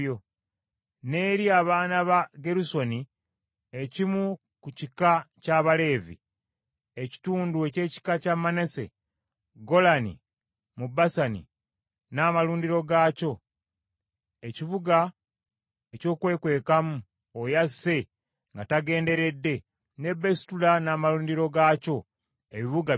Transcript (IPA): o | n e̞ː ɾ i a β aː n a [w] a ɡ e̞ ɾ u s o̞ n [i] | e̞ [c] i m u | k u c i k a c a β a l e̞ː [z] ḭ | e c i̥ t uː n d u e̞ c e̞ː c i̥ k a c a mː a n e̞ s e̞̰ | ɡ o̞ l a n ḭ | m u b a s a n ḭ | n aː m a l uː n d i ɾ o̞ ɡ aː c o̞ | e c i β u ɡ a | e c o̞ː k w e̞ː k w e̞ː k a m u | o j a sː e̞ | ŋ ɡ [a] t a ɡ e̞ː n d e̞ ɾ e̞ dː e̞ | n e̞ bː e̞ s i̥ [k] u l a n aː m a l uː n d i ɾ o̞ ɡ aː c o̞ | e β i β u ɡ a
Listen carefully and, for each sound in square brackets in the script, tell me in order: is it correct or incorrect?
incorrect, correct, correct, incorrect, correct, incorrect

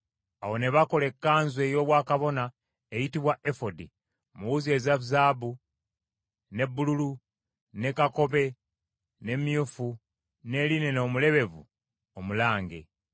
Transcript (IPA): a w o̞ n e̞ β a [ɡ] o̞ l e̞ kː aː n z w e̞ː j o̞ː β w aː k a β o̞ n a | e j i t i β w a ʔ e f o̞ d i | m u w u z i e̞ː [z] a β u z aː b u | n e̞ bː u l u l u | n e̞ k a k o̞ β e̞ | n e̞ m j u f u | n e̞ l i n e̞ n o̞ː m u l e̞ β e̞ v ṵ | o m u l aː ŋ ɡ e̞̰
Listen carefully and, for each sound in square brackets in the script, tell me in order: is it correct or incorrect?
incorrect, correct

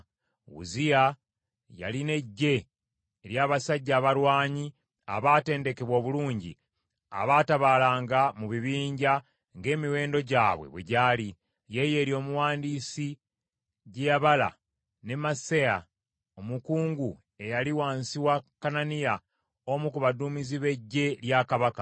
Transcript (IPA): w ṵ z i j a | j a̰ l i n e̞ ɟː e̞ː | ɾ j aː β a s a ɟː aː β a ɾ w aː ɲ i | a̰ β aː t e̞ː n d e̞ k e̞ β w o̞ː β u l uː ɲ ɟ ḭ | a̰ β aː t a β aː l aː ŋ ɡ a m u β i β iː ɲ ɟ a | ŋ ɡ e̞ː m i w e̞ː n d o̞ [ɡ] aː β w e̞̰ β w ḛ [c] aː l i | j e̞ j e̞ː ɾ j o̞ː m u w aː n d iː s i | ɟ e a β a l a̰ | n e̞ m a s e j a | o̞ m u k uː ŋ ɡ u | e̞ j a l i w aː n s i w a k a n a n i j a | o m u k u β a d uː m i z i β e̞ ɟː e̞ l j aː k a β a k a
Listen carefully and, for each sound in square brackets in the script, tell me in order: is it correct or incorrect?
incorrect, incorrect

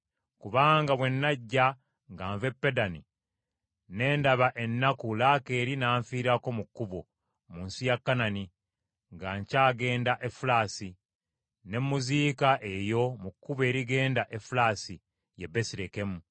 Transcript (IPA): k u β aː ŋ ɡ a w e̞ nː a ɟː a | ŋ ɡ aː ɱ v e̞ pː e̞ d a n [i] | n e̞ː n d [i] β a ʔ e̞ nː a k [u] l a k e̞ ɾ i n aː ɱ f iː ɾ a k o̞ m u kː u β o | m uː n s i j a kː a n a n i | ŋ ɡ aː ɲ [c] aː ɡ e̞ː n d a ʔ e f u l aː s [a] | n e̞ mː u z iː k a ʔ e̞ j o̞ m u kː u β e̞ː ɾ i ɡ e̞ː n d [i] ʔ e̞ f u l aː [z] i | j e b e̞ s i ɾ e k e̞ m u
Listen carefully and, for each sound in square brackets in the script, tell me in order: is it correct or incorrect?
correct, incorrect, correct, correct, incorrect, incorrect, incorrect

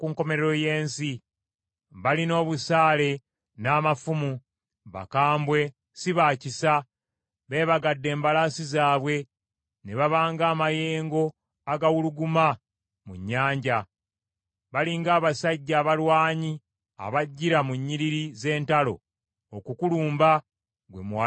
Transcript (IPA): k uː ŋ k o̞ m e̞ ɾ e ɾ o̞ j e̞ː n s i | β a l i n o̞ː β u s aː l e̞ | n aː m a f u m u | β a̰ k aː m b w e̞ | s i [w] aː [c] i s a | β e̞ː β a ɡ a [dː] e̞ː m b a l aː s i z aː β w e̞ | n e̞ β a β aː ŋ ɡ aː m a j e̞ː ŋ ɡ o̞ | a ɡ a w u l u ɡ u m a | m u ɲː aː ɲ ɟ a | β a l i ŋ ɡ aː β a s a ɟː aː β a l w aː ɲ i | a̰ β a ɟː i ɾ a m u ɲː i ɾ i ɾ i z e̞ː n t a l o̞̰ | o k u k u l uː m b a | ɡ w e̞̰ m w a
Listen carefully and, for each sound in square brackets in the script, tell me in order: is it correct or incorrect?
incorrect, correct, correct

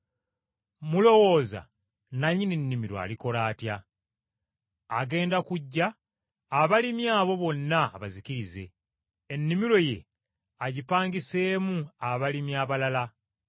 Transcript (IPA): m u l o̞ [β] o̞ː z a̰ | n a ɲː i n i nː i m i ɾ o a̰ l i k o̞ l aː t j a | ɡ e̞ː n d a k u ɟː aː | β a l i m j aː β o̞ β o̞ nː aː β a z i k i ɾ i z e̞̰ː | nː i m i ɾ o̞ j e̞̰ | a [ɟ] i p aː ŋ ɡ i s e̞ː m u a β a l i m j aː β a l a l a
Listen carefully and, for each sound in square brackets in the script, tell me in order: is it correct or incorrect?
incorrect, correct

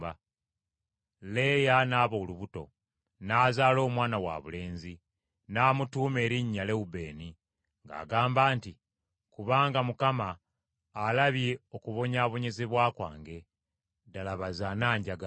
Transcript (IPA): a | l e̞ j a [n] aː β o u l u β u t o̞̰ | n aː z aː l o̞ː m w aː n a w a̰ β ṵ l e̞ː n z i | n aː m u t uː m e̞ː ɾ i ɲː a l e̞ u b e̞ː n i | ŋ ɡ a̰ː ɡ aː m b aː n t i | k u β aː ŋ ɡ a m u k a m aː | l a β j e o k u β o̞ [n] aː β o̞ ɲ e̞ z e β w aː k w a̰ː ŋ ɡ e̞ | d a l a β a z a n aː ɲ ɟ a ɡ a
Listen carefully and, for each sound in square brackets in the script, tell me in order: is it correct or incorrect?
correct, incorrect

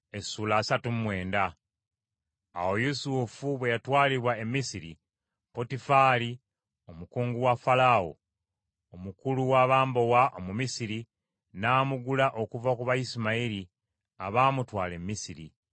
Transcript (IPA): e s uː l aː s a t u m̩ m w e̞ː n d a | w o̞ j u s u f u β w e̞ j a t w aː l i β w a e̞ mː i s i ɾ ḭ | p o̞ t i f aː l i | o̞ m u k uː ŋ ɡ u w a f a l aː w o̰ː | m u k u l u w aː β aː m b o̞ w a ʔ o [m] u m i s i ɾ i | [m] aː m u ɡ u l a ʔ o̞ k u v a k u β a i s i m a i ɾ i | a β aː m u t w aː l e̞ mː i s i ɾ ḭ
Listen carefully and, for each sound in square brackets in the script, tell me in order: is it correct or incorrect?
correct, incorrect

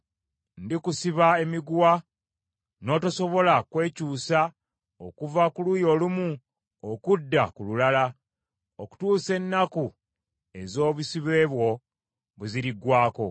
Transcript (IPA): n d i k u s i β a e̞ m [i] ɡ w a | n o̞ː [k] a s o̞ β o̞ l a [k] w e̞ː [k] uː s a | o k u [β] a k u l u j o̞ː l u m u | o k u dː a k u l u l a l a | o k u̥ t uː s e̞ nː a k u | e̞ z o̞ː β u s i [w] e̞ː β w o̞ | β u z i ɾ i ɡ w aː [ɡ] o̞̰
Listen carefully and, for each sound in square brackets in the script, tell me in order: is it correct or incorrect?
correct, incorrect, correct, incorrect, incorrect, incorrect, incorrect

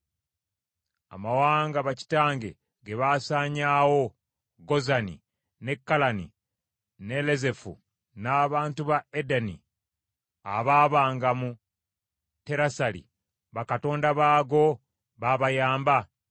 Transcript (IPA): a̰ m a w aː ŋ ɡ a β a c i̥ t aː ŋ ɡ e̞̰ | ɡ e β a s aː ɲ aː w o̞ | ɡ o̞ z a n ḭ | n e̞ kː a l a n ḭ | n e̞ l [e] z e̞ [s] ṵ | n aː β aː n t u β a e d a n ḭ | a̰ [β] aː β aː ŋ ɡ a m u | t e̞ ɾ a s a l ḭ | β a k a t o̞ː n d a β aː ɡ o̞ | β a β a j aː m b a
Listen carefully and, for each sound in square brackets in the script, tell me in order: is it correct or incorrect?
correct, incorrect, correct

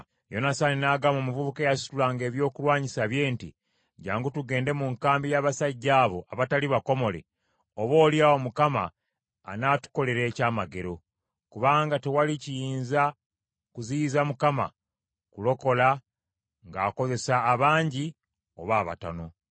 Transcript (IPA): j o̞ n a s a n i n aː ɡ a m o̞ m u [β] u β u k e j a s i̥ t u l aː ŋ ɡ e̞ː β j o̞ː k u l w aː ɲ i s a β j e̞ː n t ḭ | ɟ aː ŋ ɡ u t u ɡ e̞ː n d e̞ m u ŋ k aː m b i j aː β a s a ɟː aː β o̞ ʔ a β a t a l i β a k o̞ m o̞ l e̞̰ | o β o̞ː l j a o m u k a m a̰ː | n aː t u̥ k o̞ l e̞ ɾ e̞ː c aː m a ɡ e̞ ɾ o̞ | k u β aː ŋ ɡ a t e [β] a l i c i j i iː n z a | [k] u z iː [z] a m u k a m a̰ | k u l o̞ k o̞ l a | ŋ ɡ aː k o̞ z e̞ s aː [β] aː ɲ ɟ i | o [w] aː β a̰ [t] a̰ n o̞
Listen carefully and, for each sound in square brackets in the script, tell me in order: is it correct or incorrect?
incorrect, incorrect, correct, correct, correct, incorrect, correct

